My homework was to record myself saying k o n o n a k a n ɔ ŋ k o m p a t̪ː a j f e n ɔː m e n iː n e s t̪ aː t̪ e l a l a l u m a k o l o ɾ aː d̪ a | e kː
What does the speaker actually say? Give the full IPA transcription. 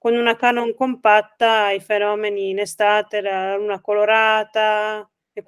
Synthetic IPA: k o n u n a k a n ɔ ŋ k o m p a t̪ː a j f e n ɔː m e n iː n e s t̪ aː t̪ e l a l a l u n a k o l o ɾ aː t̪ a | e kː